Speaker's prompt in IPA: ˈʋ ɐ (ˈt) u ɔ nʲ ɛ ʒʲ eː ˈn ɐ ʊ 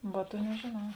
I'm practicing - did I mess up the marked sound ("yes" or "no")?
no